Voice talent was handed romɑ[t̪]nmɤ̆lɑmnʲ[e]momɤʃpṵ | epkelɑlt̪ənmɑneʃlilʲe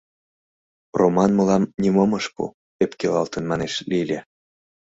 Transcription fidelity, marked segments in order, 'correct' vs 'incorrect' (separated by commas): incorrect, incorrect